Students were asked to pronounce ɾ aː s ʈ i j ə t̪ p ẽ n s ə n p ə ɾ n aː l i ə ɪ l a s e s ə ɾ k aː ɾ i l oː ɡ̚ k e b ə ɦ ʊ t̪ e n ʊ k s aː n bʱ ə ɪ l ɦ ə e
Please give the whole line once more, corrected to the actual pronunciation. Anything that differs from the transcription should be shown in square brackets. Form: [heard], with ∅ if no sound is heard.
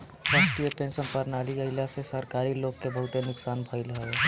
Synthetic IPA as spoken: ɾ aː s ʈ i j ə [∅] p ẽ n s ə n p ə ɾ n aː l i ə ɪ l a s e s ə ɾ k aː ɾ i l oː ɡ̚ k e b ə ɦ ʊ t̪ e n ʊ k s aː n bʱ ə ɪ l ɦ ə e